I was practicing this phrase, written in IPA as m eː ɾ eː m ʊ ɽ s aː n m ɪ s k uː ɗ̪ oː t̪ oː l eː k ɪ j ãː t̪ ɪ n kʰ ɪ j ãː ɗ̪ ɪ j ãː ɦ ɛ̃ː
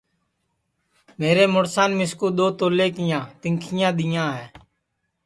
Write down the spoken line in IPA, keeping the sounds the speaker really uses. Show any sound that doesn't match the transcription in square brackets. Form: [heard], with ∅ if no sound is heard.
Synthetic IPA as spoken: m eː ɾ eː m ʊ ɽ s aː n m ɪ s k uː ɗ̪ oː t̪ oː l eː k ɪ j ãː t̪ ɪ [ŋ] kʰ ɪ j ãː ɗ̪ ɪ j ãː ɦ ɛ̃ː